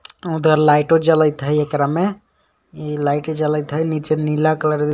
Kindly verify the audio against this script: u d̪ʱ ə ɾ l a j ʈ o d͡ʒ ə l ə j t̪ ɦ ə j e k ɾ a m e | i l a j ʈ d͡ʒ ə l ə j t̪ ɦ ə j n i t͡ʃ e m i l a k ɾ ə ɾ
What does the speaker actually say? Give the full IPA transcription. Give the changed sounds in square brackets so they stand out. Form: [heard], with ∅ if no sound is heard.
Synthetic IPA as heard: u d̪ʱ ə ɾ l a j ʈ o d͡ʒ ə l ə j t̪ ɦ ə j e k ɾ a m e | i l a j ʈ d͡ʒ ə l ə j t̪ ɦ ə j n i t͡ʃ e [n] i l a k [l] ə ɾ